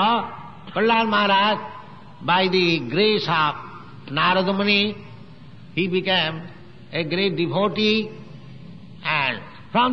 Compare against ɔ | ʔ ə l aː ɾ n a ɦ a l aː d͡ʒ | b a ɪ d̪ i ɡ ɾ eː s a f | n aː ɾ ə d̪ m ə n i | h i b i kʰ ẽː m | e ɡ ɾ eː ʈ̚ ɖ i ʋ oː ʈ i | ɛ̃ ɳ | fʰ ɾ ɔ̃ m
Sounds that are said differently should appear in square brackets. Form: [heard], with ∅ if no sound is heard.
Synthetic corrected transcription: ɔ | [p] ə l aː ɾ [m] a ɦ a [ɾ] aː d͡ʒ | b a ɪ d̪ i ɡ ɾ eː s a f | n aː ɾ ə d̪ m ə n i | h i b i [k] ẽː m | e ɡ ɾ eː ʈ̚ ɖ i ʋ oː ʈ i | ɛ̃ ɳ | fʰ ɾ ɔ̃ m